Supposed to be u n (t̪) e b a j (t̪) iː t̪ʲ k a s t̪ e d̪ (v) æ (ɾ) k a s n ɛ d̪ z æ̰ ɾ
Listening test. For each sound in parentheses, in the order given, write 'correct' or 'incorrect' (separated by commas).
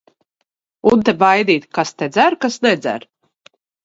correct, incorrect, incorrect, correct